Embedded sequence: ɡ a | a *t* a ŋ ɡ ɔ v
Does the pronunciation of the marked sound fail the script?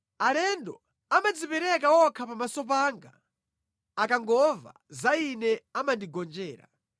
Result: yes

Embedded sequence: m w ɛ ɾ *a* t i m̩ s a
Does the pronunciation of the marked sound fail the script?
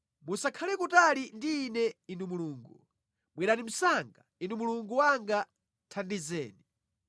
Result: no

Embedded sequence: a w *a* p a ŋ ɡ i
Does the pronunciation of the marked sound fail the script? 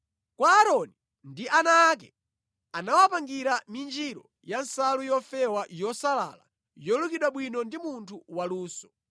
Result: no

